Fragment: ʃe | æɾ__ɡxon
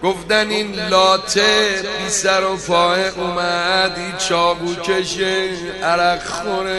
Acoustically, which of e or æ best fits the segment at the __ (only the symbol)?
æ